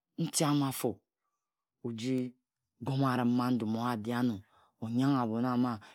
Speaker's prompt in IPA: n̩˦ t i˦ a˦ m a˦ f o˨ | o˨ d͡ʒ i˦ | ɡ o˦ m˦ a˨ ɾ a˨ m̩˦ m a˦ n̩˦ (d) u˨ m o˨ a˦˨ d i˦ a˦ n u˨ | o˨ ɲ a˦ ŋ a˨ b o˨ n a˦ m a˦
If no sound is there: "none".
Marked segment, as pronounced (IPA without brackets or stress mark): d